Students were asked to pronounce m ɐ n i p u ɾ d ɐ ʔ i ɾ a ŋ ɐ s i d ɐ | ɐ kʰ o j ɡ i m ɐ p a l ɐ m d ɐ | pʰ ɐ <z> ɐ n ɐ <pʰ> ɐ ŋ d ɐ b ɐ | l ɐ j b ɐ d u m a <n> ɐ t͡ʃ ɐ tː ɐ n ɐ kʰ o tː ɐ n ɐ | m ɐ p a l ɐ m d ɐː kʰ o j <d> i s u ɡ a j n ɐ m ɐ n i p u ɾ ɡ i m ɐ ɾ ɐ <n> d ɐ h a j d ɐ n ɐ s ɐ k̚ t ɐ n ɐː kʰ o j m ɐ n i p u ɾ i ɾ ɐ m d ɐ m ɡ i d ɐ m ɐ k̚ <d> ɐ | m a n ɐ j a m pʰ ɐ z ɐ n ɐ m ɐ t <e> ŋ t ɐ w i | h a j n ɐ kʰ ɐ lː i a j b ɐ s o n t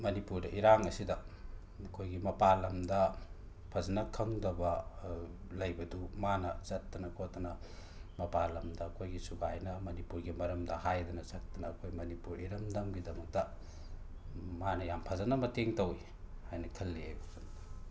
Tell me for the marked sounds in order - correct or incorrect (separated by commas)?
correct, incorrect, correct, incorrect, incorrect, incorrect, correct